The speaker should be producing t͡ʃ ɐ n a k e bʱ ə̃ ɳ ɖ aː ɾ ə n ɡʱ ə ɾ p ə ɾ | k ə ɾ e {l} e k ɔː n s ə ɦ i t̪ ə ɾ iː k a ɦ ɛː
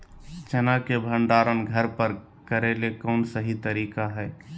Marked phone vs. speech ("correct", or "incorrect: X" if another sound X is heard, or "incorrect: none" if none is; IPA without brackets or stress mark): correct